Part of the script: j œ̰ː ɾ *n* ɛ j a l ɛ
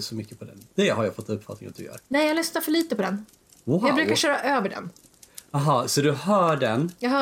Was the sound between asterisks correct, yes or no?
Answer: yes